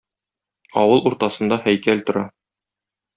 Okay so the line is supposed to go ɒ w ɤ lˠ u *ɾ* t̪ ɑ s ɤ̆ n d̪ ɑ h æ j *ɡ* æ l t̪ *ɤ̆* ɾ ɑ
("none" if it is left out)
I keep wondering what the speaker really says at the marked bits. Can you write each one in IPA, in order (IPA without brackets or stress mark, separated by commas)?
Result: ɾ, k, ŏ